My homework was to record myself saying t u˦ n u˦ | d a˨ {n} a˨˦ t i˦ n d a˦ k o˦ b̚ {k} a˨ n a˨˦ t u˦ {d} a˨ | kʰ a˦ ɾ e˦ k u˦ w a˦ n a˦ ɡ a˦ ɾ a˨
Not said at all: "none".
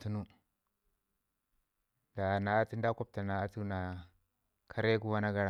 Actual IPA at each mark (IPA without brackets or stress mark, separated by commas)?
n, t, n